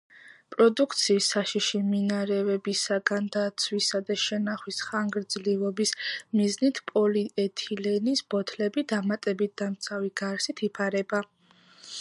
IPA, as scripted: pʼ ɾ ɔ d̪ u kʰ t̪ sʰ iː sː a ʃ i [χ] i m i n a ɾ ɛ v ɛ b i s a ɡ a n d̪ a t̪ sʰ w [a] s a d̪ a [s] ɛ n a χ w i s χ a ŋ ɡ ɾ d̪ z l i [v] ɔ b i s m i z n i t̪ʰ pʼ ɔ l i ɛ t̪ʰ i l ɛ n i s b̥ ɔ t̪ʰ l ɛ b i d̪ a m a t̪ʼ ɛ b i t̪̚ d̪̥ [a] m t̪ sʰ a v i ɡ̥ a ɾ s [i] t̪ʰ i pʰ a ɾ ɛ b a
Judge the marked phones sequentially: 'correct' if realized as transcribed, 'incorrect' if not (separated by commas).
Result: incorrect, incorrect, incorrect, correct, correct, correct